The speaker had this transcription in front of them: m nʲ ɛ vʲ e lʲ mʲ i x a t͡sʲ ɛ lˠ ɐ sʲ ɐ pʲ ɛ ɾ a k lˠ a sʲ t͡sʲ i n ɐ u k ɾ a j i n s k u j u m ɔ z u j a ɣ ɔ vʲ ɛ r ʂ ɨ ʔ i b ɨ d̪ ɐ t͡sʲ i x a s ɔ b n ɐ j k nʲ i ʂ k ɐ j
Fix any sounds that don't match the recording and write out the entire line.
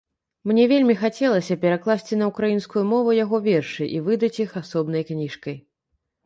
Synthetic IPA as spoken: m nʲ ɛ vʲ e lʲ mʲ i x a t͡sʲ ɛ lˠ ɐ sʲ ɐ pʲ ɛ ɾ a k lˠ a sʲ t͡sʲ i n ɐ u k ɾ a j i n s k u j u m ɔ v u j a ɣ ɔ vʲ ɛ r ʂ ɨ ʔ i v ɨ d̪ ɐ t͡sʲ i x a s ɔ b n ɐ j k nʲ i ʂ k ɐ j